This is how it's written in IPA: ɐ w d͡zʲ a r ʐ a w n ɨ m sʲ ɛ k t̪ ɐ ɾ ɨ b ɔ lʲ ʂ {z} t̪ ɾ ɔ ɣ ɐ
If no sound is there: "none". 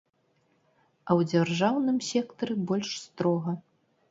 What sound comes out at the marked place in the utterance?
s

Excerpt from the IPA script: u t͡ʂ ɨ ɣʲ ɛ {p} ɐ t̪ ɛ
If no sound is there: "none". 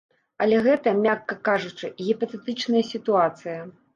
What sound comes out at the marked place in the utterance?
p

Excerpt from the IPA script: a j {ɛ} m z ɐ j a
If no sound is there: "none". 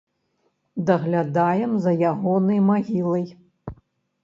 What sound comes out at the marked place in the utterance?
ɛ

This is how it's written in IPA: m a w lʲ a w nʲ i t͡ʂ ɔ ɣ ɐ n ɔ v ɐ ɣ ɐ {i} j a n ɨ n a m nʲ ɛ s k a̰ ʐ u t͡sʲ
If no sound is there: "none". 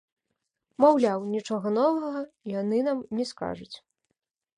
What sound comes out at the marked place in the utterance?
i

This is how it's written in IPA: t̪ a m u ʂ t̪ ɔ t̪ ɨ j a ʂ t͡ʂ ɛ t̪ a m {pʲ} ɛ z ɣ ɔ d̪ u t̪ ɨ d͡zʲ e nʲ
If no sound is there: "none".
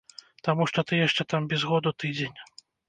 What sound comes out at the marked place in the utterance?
bʲ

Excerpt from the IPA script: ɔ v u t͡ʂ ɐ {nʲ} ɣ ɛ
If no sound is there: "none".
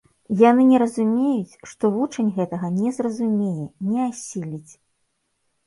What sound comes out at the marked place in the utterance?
nʲ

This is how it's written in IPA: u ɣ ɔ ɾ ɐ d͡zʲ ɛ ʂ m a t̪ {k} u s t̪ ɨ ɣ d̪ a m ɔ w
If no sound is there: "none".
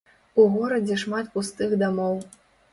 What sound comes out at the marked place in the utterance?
p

